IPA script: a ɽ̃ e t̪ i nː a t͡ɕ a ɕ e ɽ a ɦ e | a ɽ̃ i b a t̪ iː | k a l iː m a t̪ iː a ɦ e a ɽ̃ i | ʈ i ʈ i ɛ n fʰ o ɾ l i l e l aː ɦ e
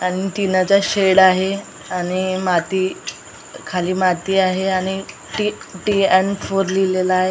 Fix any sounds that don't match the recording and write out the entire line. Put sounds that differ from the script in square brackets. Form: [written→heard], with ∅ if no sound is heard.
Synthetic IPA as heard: a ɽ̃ [e→i] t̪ i [nː→n] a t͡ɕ a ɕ e ɽ a ɦ e | a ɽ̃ i [b→m] a t̪ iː | [k→kʰ] a l iː m a t̪ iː a ɦ e a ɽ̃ i | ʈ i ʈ i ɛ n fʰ o ɾ l i l e l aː ɦ e